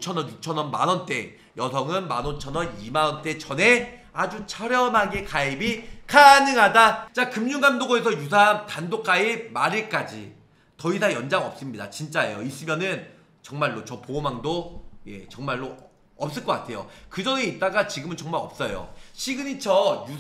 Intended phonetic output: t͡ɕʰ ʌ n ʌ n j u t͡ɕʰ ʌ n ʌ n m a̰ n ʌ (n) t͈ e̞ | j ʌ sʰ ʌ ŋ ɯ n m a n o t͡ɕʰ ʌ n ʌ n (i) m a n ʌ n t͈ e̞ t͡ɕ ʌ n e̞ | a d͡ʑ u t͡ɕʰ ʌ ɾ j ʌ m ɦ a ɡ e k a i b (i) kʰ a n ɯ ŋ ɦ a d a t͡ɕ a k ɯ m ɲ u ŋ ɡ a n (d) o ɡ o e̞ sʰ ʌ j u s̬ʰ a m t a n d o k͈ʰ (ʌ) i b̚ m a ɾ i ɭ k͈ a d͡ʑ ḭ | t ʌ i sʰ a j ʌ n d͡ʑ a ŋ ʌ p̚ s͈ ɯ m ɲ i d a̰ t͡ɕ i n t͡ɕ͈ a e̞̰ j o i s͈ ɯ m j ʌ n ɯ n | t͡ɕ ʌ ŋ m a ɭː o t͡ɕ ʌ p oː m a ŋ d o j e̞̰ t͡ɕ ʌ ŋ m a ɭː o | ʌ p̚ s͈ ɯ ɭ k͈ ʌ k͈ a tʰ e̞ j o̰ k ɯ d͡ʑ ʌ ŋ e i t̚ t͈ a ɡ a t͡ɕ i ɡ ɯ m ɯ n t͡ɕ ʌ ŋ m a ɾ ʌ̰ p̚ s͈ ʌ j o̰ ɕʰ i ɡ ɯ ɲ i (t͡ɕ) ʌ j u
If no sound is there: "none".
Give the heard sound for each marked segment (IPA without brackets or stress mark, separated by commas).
n, i, i, d, a, t͡ɕʰ